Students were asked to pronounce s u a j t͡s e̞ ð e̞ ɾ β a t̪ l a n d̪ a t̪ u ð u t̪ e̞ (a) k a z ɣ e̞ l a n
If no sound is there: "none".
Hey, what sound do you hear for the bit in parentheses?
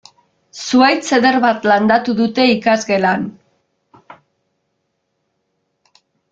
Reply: i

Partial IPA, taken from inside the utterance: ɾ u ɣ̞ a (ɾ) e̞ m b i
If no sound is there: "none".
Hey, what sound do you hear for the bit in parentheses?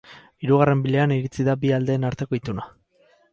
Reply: r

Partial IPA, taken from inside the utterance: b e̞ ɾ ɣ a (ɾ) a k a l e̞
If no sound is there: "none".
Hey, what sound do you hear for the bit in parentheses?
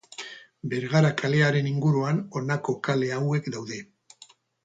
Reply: ɾ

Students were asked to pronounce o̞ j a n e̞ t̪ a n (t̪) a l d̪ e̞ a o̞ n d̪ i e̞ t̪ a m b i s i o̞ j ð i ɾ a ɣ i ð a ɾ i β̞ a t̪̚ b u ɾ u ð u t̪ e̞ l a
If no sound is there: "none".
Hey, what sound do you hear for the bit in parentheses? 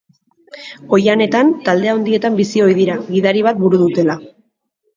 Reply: t̪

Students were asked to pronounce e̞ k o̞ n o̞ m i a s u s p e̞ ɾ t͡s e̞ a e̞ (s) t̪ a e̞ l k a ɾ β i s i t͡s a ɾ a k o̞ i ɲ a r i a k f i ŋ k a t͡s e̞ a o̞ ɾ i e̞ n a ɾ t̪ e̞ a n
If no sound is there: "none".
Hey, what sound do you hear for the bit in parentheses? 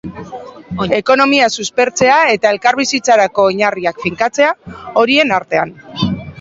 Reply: none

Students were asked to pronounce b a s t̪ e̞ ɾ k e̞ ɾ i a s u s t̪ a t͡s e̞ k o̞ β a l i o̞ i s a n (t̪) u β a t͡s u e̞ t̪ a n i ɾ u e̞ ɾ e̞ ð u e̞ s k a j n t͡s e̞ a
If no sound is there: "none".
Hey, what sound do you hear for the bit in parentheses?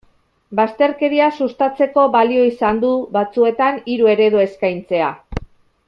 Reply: d̪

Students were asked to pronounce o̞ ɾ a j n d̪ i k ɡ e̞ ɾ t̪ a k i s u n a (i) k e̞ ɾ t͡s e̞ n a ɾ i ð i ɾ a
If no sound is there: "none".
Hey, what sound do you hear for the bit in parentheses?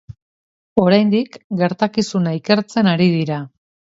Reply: i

